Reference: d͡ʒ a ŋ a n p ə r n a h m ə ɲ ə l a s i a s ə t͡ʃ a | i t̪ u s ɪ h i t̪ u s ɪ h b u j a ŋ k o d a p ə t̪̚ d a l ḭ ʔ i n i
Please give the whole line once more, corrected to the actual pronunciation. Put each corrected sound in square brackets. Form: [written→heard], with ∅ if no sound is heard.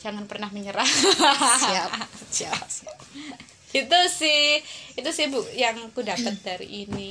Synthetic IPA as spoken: d͡ʒ a ŋ a n p ə r n a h m ə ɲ ə [l→ɾ] a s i a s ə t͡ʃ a | i t̪ u s ɪ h i t̪ u s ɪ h b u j a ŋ k [o→u] d a p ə t̪̚ d a [l→ɾ] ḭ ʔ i n i